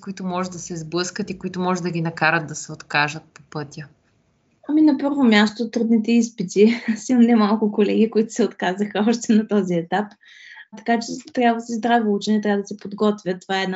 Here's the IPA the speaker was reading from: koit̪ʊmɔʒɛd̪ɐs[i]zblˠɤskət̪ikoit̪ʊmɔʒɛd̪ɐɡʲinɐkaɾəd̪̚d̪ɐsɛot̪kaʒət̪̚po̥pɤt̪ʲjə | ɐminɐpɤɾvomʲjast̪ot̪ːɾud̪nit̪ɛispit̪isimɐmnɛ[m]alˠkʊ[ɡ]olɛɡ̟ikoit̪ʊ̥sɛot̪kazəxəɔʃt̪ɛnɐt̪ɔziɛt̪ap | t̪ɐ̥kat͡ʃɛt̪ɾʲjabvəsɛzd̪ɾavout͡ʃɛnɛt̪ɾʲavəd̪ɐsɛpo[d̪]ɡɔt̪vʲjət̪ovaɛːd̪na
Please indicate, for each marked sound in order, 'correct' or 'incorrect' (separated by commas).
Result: incorrect, correct, incorrect, correct